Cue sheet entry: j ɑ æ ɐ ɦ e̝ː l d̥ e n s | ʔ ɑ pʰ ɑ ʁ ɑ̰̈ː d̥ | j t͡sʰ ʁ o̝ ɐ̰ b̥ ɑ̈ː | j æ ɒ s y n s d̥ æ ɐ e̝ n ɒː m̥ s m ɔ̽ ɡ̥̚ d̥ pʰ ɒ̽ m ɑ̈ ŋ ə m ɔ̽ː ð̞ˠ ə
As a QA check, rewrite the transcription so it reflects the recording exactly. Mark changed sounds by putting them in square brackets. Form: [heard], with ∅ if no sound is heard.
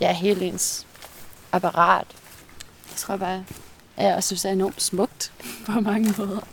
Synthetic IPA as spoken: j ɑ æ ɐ ɦ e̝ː l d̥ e n s | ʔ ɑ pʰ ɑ ʁ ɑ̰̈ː d̥ | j t͡sʰ ʁ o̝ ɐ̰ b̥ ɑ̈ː | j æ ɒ s y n s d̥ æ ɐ e̝ n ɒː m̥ s m ɔ̽ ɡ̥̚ d̥ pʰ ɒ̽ m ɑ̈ ŋ ə m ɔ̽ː ð̞ˠ [ɐ]